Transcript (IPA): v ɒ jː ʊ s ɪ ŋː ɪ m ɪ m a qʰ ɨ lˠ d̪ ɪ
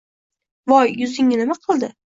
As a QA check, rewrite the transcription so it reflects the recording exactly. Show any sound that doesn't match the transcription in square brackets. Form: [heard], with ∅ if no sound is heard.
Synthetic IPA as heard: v ɒ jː ʊ [z] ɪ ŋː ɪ [n] ɪ m a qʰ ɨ lˠ d̪ ɪ